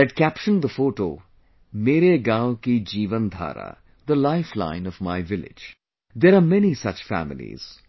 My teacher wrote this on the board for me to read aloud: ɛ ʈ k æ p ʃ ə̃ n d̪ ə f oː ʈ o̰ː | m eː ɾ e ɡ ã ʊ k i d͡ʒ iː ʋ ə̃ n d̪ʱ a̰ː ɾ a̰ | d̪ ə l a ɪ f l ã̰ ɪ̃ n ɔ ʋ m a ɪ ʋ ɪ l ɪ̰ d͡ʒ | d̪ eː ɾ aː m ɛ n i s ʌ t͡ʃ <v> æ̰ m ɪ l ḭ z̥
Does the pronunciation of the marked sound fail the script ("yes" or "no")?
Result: yes